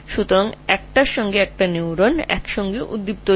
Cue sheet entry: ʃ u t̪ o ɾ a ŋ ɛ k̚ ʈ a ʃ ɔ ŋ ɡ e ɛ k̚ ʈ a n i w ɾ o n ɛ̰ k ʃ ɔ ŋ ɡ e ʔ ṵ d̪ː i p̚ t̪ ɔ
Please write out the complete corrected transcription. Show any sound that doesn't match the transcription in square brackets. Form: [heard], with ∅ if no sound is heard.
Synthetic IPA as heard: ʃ u t̪ o ɾ a ŋ ɛ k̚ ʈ a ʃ ɔ ŋ ɡ e ɛ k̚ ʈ a n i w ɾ o n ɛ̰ k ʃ ɔ ŋ ɡ e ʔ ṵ d̪ː i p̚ t̪ [o]